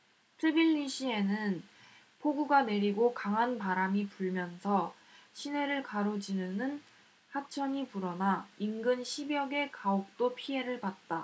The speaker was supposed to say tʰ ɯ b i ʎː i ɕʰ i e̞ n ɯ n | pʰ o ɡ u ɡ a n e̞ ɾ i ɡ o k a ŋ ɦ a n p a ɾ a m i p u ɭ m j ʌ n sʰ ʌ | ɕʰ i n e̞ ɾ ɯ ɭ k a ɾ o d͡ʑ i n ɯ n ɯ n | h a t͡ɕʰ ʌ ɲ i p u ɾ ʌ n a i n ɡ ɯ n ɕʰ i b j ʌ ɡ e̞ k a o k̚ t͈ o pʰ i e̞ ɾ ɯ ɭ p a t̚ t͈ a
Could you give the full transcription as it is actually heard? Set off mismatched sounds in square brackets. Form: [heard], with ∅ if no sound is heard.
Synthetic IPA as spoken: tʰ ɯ b i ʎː i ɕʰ i e̞ n ɯ n | pʰ o ɡ u ɡ a n e̞ ɾ i ɡ o k a ŋ ɦ a n p a ɾ a m i p u ɭ m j ʌ n sʰ ʌ | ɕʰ i n e̞ ɾ ɯ ɭ k a ɾ o d͡ʑ i n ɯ n ɯ n | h a t͡ɕʰ ʌ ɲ i p u ɾ ʌ n a i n ɡ ɯ n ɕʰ i b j ʌ ɡ e̞ k a o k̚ t͈ o pʰ i e̞ ɾ ɯ ɭ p a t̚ t͈ a